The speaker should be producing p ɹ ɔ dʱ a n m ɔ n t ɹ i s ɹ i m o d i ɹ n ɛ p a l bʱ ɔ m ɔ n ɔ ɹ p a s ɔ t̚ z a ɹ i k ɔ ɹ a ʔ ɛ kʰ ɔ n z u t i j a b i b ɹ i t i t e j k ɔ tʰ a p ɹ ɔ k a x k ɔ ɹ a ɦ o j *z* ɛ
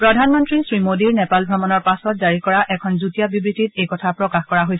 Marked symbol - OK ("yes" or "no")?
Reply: no